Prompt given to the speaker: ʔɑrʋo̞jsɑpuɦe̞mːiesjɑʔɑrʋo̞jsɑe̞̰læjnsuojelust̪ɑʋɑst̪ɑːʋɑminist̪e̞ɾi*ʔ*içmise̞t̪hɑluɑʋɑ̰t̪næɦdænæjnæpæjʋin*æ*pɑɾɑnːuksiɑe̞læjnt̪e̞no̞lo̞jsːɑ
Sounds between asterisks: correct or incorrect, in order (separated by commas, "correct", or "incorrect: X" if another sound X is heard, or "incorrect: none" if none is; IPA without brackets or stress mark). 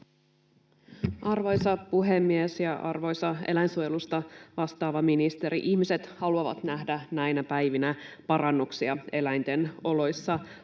correct, correct